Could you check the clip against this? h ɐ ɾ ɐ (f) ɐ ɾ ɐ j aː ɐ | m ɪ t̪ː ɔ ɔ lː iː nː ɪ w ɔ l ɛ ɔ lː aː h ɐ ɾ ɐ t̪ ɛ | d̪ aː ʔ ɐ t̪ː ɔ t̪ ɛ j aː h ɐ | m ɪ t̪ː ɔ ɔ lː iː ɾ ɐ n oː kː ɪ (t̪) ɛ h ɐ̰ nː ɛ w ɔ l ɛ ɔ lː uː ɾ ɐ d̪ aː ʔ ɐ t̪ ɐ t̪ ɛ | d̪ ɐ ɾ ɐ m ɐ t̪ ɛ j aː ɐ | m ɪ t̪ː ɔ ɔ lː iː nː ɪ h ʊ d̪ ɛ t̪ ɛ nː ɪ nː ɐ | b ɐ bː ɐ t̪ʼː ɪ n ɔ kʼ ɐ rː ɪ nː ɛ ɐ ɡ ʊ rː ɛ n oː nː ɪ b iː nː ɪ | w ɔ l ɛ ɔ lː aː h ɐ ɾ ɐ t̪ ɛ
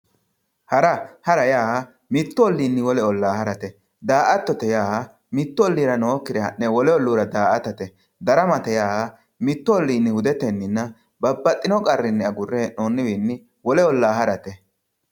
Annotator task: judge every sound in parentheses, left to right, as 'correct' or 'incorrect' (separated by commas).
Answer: incorrect, incorrect